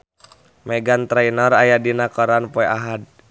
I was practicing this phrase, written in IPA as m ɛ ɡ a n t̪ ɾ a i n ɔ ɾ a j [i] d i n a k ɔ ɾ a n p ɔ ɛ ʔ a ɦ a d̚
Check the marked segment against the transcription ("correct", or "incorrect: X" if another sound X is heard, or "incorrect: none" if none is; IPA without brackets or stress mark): incorrect: a